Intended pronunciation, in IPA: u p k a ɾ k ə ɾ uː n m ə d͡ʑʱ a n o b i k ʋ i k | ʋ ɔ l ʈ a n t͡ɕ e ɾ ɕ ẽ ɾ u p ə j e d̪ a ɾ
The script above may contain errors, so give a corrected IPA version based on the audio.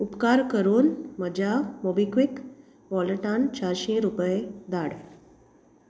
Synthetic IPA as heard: u p k a ɾ k ə ɾ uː n m ə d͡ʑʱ a m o b i k ʋ i k | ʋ ɔ l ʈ a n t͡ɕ a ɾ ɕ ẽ ɾ u p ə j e d̪ a ɽ